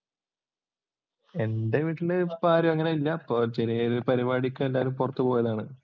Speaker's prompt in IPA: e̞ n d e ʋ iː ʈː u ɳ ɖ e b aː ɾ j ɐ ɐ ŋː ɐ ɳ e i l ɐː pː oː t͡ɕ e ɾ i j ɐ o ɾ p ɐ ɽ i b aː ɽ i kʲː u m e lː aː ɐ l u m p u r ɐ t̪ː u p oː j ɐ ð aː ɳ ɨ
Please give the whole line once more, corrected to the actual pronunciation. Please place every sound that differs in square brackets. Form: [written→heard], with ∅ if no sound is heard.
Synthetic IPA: e̞ n d e ʋ iː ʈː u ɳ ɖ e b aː ɾ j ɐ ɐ ŋː ɐ [ɳ→n] e i [l→lː] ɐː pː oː t͡ɕ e ɾ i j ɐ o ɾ p ɐ [ɽ→ɾ] i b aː ɽ i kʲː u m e lː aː ɐ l u m p u r ɐ t̪ː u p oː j ɐ ð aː ɳ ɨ

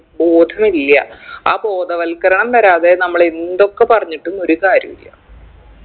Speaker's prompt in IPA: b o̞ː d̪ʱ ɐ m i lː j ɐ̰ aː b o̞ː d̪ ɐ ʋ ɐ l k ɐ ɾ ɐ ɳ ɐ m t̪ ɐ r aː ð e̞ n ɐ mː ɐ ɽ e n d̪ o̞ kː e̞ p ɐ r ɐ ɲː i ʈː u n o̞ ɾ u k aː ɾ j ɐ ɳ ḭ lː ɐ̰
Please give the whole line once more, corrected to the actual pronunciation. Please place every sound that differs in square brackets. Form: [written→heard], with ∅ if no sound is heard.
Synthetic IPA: b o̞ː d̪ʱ ɐ m i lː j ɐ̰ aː b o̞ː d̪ ɐ ʋ ɐ l k ɐ ɾ ɐ ɳ ɐ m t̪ ɐ [r→ɾ] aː ð e̞ n ɐ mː ɐ [ɽ→ɭ] e n d̪ o̞ kː e̞ p ɐ r ɐ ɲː i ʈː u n o̞ ɾ u k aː ɾ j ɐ [ɳ→m] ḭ lː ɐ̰

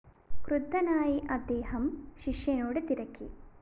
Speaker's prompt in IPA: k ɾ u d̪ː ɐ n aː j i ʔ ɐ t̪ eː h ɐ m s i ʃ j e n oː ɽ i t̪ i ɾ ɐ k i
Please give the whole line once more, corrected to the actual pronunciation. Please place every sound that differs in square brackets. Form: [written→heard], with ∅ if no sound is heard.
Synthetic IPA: k ɾ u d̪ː ɐ n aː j i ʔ ɐ [t̪→d̪] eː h ɐ m [s→ʃ] i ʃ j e n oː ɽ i t̪ i ɾ ɐ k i

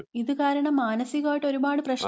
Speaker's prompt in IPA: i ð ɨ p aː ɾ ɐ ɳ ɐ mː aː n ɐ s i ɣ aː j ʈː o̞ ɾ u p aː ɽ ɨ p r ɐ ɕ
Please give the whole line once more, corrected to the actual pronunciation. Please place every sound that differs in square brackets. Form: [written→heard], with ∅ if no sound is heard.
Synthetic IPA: i ð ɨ [p→k] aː ɾ ɐ ɳ ɐ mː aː n ɐ s i ɣ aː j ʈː o̞ ɾ u [p→b] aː ɽ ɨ p r ɐ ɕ

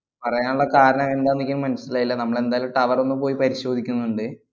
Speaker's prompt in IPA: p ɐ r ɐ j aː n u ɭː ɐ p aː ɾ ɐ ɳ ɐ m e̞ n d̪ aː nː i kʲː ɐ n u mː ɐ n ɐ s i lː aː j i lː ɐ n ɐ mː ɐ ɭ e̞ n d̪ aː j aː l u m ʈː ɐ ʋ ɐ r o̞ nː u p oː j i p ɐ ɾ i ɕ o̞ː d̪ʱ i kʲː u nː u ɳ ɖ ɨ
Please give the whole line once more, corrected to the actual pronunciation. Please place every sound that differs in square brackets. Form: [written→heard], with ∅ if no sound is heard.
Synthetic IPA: p ɐ r ɐ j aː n u ɭː ɐ [p→k] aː ɾ ɐ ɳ ɐ m e̞ n d̪ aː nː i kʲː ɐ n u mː ɐ n ɐ s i [lː→l] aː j i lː ɐ n ɐ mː ɐ ɭ e̞ n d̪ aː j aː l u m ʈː ɐ ʋ ɐ r o̞ nː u p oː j i p ɐ ɾ i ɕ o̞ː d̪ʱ i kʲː u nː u ɳ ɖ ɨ

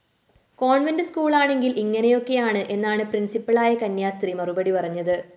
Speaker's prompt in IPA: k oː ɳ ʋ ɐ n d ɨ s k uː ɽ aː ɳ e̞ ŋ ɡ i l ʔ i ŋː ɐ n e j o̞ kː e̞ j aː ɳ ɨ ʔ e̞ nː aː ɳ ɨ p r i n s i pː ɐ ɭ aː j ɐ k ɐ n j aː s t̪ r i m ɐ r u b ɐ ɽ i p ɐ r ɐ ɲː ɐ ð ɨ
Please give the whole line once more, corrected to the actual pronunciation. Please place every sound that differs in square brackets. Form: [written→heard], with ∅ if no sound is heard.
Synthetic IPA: k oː ɳ ʋ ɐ n d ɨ s k uː [ɽ→ɭ] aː ɳ e̞ ŋ ɡ i l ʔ i ŋː ɐ n e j o̞ kː e̞ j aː ɳ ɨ ʔ e̞ nː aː ɳ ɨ p r i n s i pː ɐ ɭ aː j ɐ k ɐ n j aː s t̪ r i m ɐ r u b ɐ ɽ i p ɐ r ɐ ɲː ɐ ð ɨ

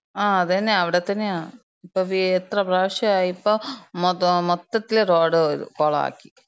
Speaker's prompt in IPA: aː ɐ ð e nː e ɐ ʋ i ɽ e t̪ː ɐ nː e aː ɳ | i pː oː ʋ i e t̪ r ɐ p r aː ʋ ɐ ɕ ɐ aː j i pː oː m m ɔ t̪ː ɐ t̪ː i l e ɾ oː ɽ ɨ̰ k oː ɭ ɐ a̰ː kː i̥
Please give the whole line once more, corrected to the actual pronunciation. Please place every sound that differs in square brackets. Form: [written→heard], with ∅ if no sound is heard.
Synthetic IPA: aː ɐ ð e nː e ɐ ʋ i ɽ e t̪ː ɐ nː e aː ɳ | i pː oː ʋ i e t̪ r ɐ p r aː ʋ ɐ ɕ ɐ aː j i pː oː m m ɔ t̪ː ɐ t̪ː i l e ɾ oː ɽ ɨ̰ k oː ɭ ɐ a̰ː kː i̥

